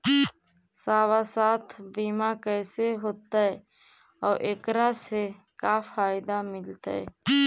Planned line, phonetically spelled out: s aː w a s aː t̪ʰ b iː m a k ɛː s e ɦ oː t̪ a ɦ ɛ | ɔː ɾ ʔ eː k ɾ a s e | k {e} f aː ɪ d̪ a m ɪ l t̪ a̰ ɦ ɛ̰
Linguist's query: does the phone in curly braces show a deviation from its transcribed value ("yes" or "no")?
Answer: yes